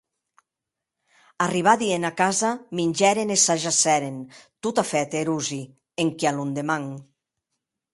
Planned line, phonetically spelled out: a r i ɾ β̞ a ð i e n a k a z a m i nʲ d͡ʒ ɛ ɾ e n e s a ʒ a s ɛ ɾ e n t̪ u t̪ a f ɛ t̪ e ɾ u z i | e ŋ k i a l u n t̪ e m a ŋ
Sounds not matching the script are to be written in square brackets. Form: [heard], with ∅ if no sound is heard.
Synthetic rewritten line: a r i [∅] β̞ a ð i e n a k a z a m i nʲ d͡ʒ ɛ ɾ e n e s a ʒ a s ɛ ɾ e n t̪ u t̪ a f ɛ t̪ e ɾ u z i | e ŋ k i a l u n [d̪] e m a ŋ